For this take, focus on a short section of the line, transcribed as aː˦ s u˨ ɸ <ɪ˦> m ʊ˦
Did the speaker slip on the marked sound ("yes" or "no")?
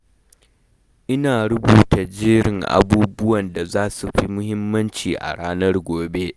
yes